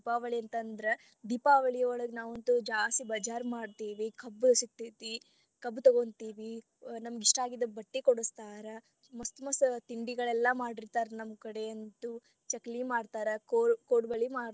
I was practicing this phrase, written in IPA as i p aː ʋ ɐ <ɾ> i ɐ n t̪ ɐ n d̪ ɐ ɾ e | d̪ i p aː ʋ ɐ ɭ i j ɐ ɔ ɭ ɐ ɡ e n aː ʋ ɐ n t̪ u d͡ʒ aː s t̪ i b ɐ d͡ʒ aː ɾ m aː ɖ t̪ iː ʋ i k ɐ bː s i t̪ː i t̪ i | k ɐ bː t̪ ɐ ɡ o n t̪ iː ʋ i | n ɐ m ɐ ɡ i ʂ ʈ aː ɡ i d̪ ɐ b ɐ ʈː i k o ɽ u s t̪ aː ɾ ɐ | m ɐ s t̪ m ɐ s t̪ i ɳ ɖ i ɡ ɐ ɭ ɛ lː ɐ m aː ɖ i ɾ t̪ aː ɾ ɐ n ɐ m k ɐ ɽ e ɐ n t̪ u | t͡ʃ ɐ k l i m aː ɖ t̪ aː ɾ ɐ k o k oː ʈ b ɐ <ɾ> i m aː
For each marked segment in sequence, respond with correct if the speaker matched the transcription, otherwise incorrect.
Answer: incorrect: ɭ, incorrect: ɭ

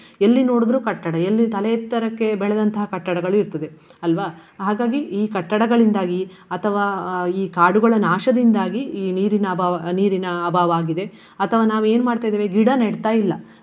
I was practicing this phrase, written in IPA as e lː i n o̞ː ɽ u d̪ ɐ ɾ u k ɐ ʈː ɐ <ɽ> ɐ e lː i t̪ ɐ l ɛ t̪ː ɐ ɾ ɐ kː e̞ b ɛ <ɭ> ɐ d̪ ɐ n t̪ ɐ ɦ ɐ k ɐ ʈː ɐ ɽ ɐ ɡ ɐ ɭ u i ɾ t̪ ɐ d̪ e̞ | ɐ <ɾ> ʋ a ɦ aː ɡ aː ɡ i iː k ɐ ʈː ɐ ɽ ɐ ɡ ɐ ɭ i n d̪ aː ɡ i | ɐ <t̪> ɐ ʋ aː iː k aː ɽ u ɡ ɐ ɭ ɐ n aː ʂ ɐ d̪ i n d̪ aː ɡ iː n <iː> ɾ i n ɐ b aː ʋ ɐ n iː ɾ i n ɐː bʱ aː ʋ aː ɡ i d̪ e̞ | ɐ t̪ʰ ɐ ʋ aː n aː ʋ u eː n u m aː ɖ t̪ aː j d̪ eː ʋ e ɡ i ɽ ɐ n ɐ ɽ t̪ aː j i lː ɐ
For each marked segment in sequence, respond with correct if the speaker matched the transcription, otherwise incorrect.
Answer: correct, correct, incorrect: l, incorrect: t̪ʰ, correct

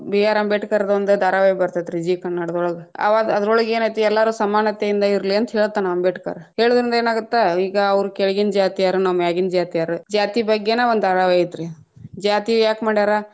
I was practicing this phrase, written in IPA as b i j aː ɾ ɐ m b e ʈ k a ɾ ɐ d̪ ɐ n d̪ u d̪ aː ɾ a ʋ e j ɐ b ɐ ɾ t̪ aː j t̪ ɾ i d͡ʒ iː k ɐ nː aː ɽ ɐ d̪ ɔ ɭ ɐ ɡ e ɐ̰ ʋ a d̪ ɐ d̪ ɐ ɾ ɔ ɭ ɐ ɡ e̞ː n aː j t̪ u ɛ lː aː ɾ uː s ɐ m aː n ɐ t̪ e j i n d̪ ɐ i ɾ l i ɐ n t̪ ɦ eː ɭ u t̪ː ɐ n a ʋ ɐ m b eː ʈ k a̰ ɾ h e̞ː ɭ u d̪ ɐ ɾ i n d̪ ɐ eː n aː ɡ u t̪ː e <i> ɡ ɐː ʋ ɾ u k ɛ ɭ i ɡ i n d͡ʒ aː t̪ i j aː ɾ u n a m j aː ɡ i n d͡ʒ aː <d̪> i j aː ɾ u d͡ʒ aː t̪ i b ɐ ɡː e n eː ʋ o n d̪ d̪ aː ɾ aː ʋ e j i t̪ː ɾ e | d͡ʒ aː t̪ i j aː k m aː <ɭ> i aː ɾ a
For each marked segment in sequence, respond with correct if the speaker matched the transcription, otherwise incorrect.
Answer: incorrect: iː, incorrect: t̪, incorrect: ɽ

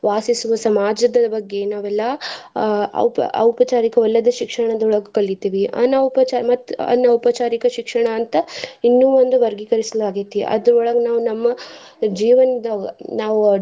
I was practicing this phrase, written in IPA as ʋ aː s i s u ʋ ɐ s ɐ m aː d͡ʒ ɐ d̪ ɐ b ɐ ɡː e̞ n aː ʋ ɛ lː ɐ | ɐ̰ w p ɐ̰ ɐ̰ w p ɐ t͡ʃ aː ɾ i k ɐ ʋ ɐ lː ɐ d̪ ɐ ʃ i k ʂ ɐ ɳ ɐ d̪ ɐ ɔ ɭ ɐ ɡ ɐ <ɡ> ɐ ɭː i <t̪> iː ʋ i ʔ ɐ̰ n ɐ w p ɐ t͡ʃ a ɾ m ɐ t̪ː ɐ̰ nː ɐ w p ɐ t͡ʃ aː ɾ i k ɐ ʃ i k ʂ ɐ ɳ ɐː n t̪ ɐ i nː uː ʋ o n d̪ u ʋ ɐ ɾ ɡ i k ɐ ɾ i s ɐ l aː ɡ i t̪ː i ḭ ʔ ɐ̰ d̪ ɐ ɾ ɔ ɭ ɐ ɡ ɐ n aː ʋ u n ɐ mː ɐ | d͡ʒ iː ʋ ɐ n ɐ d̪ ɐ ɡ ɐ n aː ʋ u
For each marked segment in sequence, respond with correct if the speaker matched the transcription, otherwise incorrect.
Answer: incorrect: k, correct

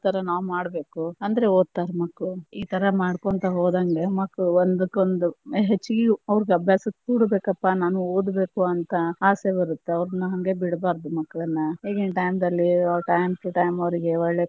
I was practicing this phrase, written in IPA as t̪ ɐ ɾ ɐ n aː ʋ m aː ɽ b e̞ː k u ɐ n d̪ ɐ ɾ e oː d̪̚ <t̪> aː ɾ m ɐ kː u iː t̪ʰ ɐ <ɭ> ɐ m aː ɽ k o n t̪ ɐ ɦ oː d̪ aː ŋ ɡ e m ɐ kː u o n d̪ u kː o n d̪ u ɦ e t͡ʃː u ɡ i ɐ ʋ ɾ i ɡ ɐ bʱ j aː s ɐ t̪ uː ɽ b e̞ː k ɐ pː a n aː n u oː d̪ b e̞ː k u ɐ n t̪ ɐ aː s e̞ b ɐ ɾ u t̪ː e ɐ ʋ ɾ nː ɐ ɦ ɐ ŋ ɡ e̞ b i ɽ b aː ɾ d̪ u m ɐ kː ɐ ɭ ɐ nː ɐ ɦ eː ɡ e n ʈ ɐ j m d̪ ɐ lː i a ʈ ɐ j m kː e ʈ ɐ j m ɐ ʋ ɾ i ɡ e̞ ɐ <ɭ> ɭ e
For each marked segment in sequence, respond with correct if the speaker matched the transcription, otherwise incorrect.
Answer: correct, incorrect: ɾ, correct

